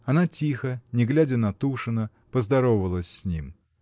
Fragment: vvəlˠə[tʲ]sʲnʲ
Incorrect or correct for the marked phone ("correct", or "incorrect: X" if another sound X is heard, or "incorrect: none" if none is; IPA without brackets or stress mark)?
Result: incorrect: sʲ